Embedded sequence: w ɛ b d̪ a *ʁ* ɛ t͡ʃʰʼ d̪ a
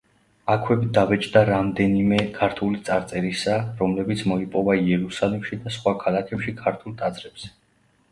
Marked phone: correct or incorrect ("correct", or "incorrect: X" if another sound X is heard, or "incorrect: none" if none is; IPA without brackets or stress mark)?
incorrect: v